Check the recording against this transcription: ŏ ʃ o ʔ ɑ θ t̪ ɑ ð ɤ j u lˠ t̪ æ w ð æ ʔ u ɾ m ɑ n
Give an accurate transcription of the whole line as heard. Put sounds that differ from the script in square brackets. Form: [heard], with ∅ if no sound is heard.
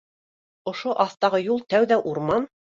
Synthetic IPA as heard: ŏ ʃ o ʔ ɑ θ t̪ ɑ [ʁ] ɤ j u lˠ t̪ æ w ð æ ʔ u ɾ m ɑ n